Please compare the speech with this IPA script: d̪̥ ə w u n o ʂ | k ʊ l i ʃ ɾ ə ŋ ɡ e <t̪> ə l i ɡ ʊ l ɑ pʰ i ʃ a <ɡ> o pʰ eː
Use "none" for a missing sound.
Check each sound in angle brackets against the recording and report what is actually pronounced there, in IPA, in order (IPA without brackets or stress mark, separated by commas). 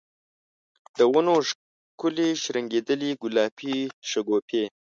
d̪, ɡ